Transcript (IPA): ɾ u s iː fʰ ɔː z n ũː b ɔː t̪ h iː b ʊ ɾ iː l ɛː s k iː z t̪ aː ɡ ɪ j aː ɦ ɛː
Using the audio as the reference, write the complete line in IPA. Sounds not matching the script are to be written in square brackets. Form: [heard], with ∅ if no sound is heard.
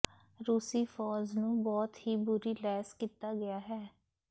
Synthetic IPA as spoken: ɾ [uː] s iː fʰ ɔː z n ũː b ɔː t̪ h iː b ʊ ɾ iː l ɛː s k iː [∅] t̪ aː ɡ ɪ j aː ɦ ɛː

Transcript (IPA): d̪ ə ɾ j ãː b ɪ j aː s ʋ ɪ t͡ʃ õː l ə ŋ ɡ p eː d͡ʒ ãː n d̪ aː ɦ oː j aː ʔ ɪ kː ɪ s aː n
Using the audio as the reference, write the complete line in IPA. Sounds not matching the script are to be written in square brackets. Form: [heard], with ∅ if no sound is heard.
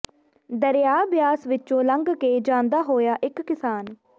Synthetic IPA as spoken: d̪ ə ɾ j [aː] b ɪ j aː s ʋ ɪ t͡ʃ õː l ə ŋ ɡ [k] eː d͡ʒ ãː n d̪ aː ɦ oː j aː ʔ ɪ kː ɪ s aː n

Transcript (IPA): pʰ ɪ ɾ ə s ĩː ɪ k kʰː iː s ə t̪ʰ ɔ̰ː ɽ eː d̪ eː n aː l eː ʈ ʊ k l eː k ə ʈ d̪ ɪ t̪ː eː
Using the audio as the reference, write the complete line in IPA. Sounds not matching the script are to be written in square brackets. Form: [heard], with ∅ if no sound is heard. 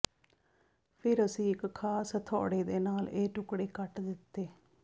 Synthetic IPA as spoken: pʰ ɪ ɾ ə s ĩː ɪ k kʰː [aː] s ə t̪ʰ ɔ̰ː ɽ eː d̪ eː n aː l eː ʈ ʊ k [ɽ] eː k ə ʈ d̪ ɪ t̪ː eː

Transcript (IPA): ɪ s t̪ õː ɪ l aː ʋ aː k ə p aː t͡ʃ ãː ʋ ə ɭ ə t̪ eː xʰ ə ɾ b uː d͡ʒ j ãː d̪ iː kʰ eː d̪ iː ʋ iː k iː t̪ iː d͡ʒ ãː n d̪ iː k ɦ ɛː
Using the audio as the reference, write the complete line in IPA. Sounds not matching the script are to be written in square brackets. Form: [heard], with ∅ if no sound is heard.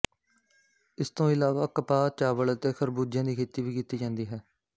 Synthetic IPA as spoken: ɪ s t̪ õː ɪ l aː ʋ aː k ə p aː t͡ʃ [aː] ʋ ə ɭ ə t̪ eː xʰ ə ɾ b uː d͡ʒ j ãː d̪ iː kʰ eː [t̪] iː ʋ iː k iː t̪ iː d͡ʒ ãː n d̪ iː [∅] ɦ ɛː

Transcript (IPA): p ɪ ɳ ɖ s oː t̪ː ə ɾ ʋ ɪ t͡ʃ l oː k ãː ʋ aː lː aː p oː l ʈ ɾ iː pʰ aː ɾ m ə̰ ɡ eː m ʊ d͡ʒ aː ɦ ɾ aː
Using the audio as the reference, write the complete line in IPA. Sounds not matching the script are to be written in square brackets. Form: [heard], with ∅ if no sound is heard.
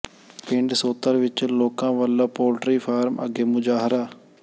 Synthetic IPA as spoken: p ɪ ɳ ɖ s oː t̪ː ə ɾ ʋ ɪ t͡ʃ l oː k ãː ʋ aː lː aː p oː l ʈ ɾ iː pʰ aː ɾ m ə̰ ɡ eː m ʊ d͡ʒ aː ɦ ɾ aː

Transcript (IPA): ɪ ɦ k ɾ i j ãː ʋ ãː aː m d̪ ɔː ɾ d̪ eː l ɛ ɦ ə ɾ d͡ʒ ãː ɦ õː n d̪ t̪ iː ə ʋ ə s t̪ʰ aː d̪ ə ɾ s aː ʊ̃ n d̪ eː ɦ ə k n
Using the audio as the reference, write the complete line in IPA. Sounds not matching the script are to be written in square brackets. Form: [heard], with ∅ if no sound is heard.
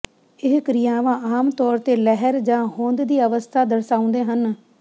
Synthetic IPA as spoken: ɪ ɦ k ɾ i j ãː ʋ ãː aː m [t̪] ɔː ɾ [t̪] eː l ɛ ɦ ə ɾ d͡ʒ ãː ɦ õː n d̪ [d̪] iː ə ʋ ə s t̪ʰ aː d̪ ə ɾ s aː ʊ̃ n d̪ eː ɦ ə [∅] n

